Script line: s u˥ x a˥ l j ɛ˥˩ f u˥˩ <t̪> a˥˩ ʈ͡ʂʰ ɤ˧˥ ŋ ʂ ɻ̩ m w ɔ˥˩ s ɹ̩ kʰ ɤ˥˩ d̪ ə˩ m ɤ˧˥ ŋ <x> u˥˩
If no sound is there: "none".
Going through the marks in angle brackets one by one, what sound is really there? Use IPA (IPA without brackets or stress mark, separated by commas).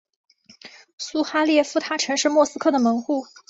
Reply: t̪ʰ, x